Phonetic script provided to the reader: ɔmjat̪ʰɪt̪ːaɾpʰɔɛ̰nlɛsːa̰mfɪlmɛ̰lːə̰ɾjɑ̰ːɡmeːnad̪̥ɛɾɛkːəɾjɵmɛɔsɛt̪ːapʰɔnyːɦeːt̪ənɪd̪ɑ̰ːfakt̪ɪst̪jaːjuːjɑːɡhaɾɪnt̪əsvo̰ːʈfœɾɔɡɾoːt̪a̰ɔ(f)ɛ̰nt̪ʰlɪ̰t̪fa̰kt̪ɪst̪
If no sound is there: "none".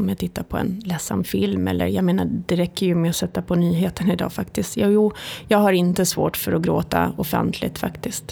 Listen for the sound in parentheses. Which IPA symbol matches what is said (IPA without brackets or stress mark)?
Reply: f